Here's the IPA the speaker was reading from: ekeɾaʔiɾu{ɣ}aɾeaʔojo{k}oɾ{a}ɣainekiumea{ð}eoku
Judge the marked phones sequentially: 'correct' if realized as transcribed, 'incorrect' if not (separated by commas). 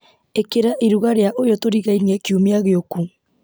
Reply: correct, incorrect, incorrect, incorrect